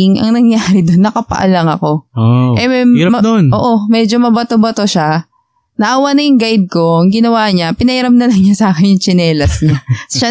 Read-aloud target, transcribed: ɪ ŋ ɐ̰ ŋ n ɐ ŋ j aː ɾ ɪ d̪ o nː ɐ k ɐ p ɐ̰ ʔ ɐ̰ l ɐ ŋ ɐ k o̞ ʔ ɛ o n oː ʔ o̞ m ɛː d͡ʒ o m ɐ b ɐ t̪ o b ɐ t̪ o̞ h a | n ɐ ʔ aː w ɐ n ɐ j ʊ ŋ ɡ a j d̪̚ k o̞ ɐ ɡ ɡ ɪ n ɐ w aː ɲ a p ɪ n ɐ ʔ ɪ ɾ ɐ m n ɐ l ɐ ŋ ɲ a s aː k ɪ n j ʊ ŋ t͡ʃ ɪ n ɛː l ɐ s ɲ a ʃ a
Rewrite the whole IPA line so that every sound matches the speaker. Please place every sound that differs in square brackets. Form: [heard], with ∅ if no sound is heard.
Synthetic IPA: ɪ ŋ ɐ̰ ŋ n ɐ ŋ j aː ɾ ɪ d̪ o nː ɐ k ɐ p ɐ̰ ʔ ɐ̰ l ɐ ŋ ɐ k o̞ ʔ ɛ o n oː ʔ o̞ m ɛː d͡ʒ o m ɐ b ɐ t̪ o b ɐ t̪ o̞ [ʃ] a | n ɐ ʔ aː w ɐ n ɐ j ʊ ŋ ɡ a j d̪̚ k o̞ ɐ [ŋ] ɡ ɪ n ɐ w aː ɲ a p ɪ n ɐ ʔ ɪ ɾ ɐ m n ɐ l ɐ ŋ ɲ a s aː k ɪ n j ʊ ŋ t͡ʃ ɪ n ɛː l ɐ s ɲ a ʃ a